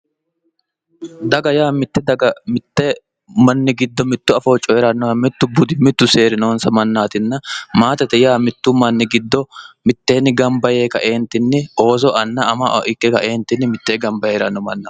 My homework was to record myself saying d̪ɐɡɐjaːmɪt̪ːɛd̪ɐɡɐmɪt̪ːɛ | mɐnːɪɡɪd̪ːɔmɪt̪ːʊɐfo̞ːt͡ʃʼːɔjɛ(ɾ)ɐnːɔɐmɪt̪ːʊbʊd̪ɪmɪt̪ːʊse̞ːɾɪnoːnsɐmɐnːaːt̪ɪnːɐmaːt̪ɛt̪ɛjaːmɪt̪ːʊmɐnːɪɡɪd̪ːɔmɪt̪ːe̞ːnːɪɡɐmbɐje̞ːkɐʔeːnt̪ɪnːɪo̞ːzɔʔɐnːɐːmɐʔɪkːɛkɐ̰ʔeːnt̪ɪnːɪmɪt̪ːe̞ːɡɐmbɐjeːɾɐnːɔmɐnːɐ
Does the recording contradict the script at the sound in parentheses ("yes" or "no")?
no